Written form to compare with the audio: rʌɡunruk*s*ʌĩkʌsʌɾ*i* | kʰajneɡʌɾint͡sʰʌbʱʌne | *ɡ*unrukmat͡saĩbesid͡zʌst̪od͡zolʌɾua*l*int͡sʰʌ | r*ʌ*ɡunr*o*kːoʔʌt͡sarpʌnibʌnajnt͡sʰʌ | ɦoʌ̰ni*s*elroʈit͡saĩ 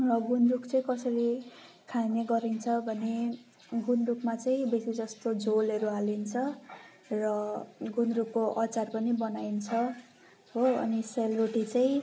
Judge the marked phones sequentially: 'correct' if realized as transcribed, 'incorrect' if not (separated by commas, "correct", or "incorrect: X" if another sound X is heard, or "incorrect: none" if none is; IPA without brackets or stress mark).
incorrect: t͡s, correct, correct, correct, correct, incorrect: u, correct